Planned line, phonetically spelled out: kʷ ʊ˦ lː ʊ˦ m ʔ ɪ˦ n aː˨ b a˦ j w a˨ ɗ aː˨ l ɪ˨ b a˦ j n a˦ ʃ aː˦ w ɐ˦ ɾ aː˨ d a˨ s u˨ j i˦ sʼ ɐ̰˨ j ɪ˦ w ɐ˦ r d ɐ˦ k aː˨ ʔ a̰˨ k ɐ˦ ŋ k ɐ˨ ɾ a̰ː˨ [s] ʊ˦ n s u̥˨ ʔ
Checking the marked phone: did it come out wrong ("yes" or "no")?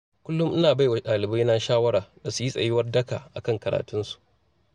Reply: yes